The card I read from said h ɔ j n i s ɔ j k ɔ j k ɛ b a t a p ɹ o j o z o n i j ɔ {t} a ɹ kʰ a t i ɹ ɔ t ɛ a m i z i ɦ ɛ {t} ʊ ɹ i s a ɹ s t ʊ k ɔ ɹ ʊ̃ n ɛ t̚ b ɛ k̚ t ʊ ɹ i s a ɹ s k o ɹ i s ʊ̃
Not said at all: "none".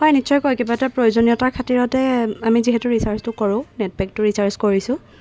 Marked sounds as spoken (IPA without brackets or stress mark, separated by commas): t, t